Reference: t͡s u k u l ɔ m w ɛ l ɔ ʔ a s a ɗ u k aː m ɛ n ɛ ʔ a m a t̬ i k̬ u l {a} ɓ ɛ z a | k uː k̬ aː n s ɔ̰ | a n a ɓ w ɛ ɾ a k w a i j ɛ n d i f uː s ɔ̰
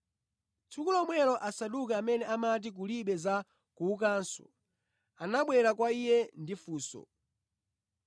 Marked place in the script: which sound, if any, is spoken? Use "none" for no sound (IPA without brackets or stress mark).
i